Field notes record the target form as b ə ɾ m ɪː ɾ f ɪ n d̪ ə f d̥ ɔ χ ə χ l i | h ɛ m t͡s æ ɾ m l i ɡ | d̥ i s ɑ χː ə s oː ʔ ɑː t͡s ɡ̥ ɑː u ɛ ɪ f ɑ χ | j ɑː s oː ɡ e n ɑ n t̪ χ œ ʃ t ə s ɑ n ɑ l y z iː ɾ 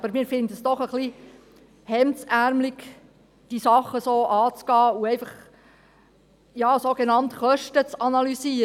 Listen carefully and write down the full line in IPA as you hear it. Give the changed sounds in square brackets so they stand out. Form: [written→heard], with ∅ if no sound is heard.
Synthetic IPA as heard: b ə ɾ m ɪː ɾ f ɪ n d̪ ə [f→s] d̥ ɔ χ ə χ l i | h ɛ m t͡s æ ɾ m l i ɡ | d̥ i s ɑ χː ə s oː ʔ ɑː t͡s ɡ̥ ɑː u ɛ ɪ f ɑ χ | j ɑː s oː ɡ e n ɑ n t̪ χ œ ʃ t ə [s→t͡s] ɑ n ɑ l y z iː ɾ